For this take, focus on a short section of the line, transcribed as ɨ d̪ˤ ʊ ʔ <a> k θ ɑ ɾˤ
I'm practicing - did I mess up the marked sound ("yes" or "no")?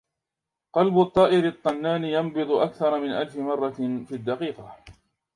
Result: no